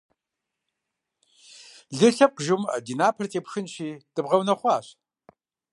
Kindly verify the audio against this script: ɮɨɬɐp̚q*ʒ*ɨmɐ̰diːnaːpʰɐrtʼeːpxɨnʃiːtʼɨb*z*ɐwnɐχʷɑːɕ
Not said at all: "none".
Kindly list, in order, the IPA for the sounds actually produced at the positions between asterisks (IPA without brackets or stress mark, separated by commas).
ʒ, ʁ